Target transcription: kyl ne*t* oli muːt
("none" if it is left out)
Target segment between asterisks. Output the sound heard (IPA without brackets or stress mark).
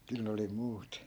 none